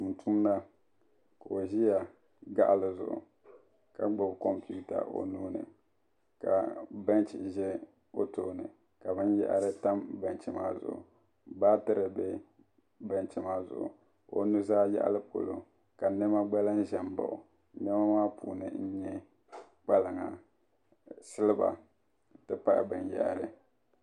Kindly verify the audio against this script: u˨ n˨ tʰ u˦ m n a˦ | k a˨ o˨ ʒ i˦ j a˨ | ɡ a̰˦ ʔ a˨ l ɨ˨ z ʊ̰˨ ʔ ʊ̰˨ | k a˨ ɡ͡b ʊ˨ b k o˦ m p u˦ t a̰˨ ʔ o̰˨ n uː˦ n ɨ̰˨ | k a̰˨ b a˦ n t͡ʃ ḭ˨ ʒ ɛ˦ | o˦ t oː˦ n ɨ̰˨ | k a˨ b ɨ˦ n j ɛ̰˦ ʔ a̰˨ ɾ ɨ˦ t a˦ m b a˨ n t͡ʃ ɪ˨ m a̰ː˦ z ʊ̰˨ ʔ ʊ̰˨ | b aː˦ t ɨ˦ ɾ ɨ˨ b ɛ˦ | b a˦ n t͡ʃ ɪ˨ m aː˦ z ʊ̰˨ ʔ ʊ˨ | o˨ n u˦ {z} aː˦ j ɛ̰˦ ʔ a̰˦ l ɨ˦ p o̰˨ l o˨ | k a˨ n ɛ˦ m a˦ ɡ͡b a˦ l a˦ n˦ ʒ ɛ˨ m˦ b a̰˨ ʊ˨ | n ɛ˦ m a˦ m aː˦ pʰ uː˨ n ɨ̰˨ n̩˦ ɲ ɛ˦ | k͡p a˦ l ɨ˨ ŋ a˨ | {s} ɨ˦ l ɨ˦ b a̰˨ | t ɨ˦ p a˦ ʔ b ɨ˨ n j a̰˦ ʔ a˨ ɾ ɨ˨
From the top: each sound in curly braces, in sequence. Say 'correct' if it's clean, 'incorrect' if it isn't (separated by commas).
correct, correct